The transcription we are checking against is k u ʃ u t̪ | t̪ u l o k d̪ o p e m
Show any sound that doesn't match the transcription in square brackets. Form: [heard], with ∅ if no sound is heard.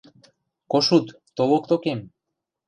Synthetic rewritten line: k [o] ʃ u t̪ | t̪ [o] l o k [t̪] o [k] e m